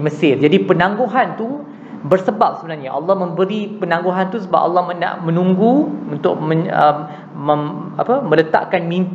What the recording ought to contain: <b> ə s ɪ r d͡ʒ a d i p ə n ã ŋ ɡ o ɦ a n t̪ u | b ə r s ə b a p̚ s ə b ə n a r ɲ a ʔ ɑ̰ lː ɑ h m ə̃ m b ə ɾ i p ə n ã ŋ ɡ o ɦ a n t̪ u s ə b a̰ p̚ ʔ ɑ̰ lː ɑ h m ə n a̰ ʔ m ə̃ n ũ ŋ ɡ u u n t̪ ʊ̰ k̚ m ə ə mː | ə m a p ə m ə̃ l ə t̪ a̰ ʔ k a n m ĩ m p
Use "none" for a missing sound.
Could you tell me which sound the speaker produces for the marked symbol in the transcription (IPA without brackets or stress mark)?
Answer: m